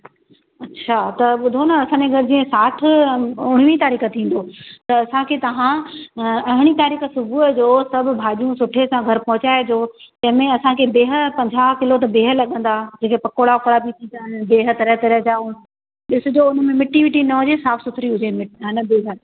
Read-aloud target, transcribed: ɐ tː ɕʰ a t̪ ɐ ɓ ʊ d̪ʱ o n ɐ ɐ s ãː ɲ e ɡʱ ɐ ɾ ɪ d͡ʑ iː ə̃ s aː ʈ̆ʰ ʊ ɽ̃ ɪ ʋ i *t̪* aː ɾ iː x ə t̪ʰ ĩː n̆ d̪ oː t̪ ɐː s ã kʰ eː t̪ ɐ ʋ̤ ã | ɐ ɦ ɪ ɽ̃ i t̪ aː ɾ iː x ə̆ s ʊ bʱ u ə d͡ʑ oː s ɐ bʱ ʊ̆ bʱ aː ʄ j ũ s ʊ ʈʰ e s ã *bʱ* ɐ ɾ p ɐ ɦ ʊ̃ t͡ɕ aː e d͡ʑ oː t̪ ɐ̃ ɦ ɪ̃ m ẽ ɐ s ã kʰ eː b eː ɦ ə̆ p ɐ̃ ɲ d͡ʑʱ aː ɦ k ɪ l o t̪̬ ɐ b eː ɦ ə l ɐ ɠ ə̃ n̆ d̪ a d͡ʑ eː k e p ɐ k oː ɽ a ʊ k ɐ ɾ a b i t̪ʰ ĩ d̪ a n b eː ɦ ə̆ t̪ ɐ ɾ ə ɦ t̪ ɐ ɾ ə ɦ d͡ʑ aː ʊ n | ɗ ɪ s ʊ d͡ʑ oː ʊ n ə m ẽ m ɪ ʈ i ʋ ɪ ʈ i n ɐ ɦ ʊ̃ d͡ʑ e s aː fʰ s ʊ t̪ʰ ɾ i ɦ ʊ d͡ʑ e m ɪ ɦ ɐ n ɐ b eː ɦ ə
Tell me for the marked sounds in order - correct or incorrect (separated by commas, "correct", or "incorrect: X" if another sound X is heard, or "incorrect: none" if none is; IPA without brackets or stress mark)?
correct, incorrect: ɡʱ